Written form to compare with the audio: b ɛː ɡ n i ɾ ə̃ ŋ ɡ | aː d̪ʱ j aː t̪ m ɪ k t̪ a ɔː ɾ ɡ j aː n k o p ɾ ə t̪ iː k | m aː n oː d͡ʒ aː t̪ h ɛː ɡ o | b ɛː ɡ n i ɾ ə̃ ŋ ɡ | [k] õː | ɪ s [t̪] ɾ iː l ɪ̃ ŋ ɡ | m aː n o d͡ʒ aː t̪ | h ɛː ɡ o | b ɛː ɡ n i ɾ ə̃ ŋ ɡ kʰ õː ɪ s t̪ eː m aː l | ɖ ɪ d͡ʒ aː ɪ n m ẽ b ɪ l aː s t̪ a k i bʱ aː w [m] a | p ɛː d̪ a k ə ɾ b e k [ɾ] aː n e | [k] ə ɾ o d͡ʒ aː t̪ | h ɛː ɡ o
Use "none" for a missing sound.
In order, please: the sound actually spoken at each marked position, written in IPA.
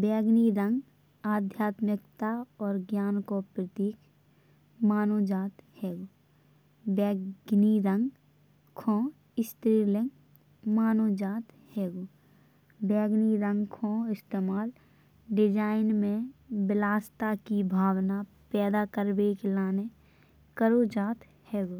kʰ, t̪, n, l, k

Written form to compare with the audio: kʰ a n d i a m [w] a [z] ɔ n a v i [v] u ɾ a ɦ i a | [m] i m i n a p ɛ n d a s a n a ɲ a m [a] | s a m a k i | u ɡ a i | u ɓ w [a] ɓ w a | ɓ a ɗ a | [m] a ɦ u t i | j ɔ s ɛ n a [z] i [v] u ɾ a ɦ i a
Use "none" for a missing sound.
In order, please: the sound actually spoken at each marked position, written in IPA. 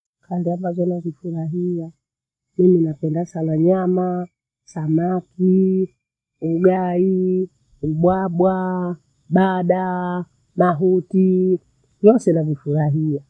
b, z, f, m, a, a, m, v, f

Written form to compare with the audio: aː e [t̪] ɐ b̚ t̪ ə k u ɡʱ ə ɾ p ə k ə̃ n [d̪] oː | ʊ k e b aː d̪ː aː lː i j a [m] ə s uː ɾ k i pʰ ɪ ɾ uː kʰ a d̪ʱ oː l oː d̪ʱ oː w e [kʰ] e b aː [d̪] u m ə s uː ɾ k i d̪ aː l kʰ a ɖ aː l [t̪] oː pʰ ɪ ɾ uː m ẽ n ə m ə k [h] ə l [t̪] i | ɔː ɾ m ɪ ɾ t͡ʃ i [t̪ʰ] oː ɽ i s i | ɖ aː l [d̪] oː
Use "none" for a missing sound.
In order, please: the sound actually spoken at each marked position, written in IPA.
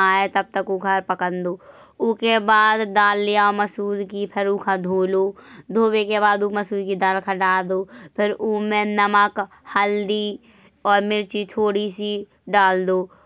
t̪, d̪, m, k, d̪, d̪, h, d̪, t̪ʰ, d̪

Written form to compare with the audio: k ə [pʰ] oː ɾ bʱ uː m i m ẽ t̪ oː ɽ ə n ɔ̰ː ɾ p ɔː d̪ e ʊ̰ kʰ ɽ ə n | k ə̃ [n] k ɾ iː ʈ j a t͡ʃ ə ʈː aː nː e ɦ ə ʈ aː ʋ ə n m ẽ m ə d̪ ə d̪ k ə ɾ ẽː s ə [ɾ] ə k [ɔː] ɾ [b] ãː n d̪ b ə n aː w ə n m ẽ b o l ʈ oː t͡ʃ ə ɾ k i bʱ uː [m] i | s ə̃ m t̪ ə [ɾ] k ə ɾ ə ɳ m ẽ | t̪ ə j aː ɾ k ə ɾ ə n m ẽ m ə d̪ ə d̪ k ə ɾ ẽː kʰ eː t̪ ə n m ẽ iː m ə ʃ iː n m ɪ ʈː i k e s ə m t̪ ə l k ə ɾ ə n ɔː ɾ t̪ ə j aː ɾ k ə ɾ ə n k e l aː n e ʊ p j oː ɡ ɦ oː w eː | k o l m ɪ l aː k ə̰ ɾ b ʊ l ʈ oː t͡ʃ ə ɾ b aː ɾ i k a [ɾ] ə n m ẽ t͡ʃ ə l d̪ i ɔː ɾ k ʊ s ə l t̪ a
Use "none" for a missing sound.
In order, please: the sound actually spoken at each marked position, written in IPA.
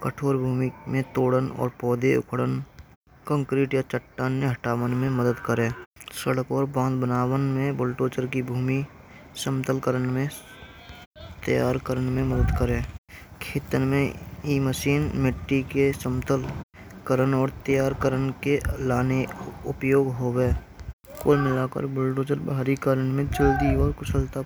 ʈʰ, ŋ, ɽ, ɔː, b, m, l, ɾ

